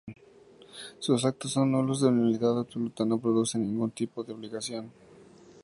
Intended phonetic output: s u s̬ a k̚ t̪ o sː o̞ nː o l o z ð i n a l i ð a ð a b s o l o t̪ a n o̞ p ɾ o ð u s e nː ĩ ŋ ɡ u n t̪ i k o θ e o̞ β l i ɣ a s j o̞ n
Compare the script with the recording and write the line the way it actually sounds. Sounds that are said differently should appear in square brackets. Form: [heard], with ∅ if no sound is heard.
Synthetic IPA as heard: s u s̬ a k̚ t̪ o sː o̞ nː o l o z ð [e] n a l i ð a ð a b s o l [u] t̪ a n o̞ p ɾ o ð u s e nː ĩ ŋ ɡ u n t̪ i [p] o [ð] e o̞ β l i ɣ a s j o̞ n